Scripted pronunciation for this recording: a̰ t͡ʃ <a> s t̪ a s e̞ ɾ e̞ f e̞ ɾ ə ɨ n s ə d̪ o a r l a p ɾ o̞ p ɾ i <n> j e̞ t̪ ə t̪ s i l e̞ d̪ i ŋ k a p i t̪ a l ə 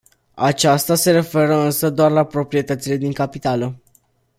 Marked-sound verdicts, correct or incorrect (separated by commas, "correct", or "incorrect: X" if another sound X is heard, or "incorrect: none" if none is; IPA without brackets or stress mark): correct, incorrect: none